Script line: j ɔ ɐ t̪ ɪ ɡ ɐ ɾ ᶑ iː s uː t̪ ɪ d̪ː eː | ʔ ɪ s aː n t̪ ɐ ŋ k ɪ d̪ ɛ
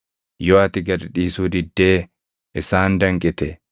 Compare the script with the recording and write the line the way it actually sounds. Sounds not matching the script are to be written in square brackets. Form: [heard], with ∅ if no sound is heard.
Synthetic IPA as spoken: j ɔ ɐ t̪ ɪ ɡ ɐ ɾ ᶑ iː s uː [d̪] ɪ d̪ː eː | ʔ ɪ s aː n [d̪] ɐ ŋ [kʼ] ɪ [t̪] ɛ

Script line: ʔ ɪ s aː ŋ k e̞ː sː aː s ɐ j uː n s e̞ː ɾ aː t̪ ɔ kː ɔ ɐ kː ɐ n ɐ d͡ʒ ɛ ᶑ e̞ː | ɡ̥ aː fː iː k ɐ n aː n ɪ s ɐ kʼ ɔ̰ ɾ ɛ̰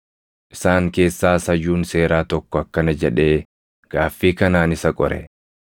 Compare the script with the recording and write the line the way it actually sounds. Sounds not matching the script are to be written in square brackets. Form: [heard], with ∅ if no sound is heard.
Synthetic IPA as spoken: ʔ ɪ s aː ŋ k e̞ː sː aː s ɐ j uː n s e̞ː ɾ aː t̪ ɔ kː ɔ ɐ kː ɐ n ɐ d͡ʒ ɛ ᶑ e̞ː | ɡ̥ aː fː iː k ɐ n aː n ɪ s ɐ kʼ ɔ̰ ɾ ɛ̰

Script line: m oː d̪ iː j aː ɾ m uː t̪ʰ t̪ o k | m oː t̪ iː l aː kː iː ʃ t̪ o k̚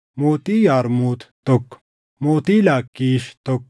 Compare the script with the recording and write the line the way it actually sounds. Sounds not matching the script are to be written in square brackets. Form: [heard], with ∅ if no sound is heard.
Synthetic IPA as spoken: m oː [t̪] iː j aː ɾ m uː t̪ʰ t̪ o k | m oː t̪ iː l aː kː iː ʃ t̪ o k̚

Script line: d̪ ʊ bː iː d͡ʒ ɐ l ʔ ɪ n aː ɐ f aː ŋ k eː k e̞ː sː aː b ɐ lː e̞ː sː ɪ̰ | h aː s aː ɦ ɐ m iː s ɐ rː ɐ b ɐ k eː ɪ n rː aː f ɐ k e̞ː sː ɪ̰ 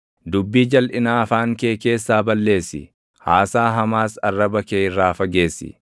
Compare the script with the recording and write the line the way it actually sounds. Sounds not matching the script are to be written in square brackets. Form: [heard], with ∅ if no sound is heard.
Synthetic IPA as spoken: d̪ ʊ bː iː d͡ʒ ɐ l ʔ ɪ n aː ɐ f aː ŋ k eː k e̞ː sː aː b ɐ lː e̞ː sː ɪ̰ | h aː s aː ɦ ɐ m [aː] s ɐ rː ɐ b ɐ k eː ɪ [∅] rː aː f ɐ [ɡ] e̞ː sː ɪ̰

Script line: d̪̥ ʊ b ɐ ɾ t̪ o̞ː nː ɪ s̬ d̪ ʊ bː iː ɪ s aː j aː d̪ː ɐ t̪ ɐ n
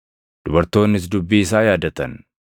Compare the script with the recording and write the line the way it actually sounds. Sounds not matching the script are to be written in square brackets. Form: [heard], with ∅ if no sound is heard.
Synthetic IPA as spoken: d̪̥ ʊ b ɐ ɾ t̪ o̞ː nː ɪ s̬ d̪ ʊ bː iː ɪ s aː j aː [d̪] ɐ t̪ ɐ n

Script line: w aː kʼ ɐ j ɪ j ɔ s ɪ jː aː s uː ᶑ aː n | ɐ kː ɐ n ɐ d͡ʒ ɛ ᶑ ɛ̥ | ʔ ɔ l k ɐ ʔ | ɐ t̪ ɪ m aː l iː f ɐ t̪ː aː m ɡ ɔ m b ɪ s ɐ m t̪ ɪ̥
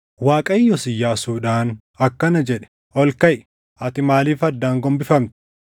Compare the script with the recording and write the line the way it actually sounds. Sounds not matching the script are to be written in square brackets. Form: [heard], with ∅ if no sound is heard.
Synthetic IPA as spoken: w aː kʼ ɐ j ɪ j ɔ s ɪ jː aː s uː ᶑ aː n | ɐ kː ɐ n ɐ d͡ʒ ɛ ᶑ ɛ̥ | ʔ ɔ l k ɐ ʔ | ɐ t̪ ɪ m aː l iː f ɐ [d̪ː] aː [ŋ] ɡ ɔ m b ɪ [f] ɐ m t̪ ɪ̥

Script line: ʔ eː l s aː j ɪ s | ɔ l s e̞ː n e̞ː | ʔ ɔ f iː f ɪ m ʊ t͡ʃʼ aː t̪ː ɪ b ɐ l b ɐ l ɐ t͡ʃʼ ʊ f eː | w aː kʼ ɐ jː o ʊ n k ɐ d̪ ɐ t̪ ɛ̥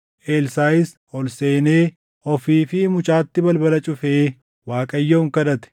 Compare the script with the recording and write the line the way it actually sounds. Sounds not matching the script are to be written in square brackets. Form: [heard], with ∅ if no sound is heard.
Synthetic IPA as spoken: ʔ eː l s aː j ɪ s | ɔ l s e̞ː n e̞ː | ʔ ɔ f iː f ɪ m ʊ t͡ʃʼ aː t̪ː ɪ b ɐ l b ɐ l ɐ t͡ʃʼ ʊ f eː | w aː kʼ ɐ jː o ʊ [ŋ] k ɐ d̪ ɐ t̪ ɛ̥

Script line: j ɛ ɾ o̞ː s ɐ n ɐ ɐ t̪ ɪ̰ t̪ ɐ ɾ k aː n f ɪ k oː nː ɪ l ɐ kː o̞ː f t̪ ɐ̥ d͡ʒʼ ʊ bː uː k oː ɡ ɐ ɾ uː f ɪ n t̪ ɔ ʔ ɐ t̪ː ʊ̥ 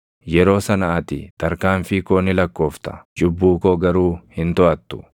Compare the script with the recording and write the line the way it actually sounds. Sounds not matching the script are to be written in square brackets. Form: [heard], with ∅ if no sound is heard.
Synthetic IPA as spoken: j ɛ ɾ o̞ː s ɐ n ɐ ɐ t̪ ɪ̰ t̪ ɐ ɾ k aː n f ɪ k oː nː ɪ l ɐ kː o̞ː f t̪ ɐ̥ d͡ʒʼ ʊ bː uː k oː ɡ ɐ ɾ uː [h] ɪ n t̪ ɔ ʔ ɐ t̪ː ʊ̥

